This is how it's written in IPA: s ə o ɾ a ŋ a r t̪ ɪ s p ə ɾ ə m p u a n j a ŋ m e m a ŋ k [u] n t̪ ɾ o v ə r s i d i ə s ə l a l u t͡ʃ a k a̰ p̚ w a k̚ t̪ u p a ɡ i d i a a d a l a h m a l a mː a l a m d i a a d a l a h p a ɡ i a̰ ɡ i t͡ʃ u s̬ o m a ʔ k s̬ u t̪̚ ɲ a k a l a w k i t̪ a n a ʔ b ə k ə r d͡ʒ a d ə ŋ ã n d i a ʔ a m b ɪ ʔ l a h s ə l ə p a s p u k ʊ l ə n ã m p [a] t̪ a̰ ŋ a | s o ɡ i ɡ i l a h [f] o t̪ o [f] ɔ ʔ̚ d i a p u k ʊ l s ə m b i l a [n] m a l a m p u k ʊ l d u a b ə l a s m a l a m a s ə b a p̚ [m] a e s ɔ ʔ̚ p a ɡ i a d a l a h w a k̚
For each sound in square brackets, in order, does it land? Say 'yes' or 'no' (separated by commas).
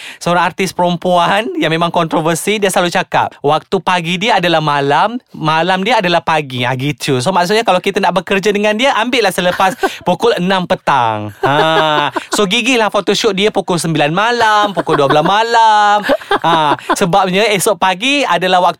no, no, yes, no, yes, no